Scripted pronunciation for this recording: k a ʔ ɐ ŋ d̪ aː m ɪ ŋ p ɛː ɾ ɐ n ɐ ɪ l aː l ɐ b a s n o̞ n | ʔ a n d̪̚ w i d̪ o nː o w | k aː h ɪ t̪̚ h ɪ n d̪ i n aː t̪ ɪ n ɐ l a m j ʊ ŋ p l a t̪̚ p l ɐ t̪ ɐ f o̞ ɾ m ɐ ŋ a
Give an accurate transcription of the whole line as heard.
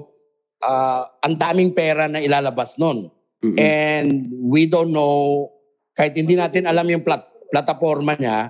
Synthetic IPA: ʔ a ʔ ɐ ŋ d̪ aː m ɪ ŋ p ɛː ɾ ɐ n ɐ ɪ l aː l ɐ b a s n o̞ n | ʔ ɛ n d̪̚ w i d̪ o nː o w | k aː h ɪ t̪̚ h ɪ n d̪ i n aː t̪ ɪ n ɐ l a m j ʊ ŋ p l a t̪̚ p l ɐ t̪ ɐ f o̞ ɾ m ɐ ɲ a